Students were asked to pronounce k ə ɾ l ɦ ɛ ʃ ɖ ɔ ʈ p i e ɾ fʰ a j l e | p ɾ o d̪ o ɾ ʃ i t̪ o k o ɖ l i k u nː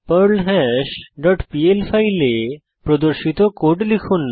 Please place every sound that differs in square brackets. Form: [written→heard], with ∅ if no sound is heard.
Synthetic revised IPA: [k→p] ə ɾ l ɦ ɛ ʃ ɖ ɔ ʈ p i e [ɾ→l] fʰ a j l e | p ɾ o d̪ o ɾ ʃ i t̪ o k o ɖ l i [k→kʰ] u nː